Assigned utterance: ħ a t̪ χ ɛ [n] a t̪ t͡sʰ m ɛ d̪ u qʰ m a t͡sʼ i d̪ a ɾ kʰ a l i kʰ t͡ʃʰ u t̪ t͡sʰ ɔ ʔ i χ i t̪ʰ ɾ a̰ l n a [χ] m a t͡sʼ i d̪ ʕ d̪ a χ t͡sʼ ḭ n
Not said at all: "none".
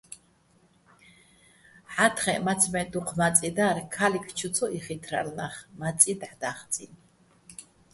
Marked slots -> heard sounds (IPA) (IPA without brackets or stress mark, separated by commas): m, χ